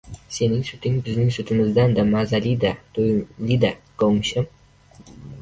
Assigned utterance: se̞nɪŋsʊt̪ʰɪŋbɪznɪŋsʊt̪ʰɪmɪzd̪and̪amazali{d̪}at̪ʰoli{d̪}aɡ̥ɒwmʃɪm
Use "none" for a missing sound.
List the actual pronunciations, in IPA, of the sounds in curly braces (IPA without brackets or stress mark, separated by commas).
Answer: d̪, d̪